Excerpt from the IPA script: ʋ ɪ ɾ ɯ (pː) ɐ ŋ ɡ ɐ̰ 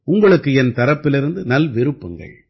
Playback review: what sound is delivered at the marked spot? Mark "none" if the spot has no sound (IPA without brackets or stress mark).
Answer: pː